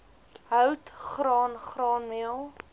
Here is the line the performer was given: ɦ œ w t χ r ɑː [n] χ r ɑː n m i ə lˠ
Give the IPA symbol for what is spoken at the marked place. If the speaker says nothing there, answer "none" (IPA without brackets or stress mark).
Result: n